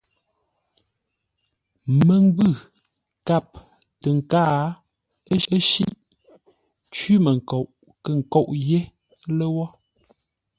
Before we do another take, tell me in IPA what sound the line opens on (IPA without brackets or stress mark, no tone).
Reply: m